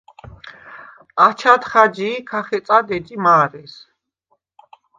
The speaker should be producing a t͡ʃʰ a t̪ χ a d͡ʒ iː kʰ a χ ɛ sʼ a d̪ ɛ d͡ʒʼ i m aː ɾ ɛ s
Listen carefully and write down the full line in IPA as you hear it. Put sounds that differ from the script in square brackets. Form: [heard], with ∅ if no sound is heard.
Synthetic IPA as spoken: a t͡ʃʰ a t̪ χ a d͡ʒ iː kʰ a χ ɛ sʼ a d̪ ɛ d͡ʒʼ i m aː ɾ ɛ s